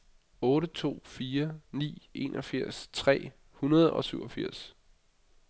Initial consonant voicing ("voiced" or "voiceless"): voiced